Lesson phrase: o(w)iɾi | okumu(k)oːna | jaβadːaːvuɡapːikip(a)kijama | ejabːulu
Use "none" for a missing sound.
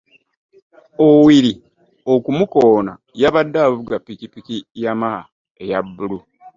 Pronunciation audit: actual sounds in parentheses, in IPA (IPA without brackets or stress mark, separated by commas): w, k, i